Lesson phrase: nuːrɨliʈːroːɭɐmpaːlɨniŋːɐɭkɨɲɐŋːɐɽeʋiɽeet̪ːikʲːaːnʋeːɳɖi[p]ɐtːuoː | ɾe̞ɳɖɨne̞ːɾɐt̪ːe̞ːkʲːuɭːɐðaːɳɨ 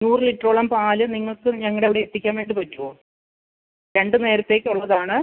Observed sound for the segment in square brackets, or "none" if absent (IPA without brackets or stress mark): p